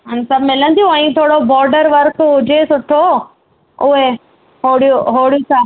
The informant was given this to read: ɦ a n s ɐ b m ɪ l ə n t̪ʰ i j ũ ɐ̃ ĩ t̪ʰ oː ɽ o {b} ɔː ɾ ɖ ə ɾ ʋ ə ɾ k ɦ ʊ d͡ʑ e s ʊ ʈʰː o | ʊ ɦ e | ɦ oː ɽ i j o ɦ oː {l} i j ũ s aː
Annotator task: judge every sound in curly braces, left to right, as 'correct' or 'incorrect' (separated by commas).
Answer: correct, incorrect